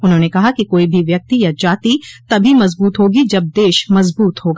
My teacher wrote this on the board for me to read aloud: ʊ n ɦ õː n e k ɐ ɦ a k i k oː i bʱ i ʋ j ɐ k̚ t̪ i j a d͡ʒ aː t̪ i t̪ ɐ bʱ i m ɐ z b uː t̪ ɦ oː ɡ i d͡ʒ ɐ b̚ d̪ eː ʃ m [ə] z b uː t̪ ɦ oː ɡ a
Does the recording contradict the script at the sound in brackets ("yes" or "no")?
yes